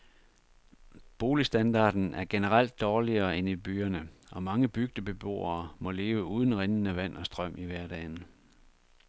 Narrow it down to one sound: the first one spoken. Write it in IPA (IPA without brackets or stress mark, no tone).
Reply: b̥